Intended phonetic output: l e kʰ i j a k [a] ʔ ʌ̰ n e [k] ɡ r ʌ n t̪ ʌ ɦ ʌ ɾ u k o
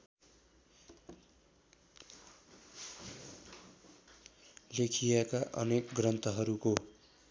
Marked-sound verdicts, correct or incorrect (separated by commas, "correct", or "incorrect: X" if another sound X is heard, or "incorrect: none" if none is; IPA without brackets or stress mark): correct, correct